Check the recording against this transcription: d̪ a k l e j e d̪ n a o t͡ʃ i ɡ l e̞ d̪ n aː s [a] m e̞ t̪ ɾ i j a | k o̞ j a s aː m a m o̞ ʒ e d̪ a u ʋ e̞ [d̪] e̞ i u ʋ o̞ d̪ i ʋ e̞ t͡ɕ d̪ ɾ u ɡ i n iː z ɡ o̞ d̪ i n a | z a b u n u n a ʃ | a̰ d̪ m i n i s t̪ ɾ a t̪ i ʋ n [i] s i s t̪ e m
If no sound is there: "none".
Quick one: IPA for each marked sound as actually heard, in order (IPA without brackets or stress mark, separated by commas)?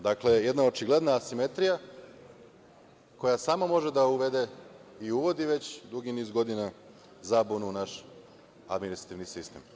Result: i, d̪, i